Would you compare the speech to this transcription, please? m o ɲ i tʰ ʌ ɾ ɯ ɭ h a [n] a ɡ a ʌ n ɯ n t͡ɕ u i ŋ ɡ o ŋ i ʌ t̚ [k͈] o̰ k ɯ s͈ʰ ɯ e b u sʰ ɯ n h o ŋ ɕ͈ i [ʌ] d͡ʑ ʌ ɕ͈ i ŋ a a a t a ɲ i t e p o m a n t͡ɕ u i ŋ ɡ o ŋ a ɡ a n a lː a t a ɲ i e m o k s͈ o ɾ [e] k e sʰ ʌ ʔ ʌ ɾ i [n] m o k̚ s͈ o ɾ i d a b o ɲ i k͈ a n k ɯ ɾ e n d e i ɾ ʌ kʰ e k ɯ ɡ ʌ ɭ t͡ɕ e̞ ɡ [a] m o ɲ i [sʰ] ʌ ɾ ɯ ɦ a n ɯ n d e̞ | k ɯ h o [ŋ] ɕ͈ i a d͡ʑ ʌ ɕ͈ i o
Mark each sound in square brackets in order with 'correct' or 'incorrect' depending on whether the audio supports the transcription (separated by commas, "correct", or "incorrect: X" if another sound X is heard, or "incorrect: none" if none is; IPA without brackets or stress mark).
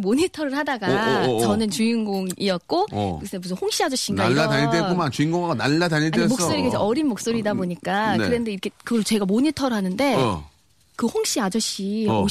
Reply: incorrect: d, correct, incorrect: a, incorrect: i, correct, correct, incorrect: tʰ, correct